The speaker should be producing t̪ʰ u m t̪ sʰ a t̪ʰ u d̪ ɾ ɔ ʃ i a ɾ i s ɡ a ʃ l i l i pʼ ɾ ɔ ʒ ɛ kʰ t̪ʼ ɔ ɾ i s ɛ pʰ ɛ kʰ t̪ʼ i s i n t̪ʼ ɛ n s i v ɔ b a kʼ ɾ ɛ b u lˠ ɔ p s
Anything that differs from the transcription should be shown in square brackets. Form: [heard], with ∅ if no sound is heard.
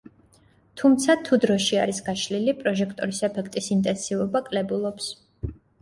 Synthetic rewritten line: t̪ʰ u m t̪ sʰ a t̪ʰ u d̪ ɾ ɔ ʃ i a ɾ i s ɡ a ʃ l i l i pʼ ɾ ɔ ʒ ɛ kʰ t̪ʼ ɔ ɾ i s ɛ pʰ ɛ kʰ t̪ʼ i s i n t̪ʼ ɛ n s i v ɔ b a kʼ [l] ɛ b u lˠ ɔ p s